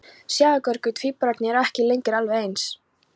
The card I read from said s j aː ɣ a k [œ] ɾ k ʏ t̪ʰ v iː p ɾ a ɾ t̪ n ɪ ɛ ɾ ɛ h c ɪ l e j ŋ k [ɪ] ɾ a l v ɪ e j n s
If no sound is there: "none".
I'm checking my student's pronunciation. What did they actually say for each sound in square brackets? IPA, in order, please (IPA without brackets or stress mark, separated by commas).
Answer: œ, ɪ